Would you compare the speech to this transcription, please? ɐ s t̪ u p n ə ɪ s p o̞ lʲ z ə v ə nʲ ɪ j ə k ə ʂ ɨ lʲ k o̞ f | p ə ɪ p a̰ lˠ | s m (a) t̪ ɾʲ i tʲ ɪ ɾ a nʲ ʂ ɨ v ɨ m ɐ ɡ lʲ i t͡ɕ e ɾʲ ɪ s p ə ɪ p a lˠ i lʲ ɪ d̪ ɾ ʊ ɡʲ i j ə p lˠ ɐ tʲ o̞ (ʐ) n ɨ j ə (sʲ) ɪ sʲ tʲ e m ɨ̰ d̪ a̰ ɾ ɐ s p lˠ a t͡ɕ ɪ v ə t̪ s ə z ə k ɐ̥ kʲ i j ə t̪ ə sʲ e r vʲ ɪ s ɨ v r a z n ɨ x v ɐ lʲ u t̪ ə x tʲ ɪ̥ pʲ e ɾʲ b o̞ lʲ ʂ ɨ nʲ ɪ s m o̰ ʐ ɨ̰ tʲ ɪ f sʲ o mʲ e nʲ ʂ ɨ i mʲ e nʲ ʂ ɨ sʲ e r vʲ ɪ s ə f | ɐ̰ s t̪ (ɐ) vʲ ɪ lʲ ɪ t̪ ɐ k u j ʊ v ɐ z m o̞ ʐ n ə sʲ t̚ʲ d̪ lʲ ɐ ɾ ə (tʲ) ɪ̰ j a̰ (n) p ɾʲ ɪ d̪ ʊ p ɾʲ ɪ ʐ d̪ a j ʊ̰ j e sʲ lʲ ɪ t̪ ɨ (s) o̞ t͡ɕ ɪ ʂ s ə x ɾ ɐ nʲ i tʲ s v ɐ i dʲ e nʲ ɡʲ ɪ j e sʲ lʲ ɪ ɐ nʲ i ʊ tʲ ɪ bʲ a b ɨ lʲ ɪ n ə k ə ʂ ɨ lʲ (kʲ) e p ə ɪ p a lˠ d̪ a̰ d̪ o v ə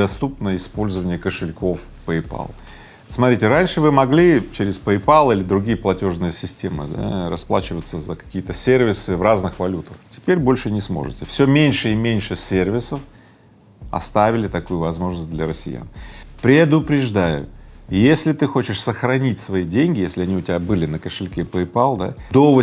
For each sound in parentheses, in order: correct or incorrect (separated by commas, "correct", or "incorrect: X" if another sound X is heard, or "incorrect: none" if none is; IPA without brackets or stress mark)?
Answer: incorrect: ɐ, correct, correct, incorrect: a, incorrect: sʲ, correct, incorrect: x, correct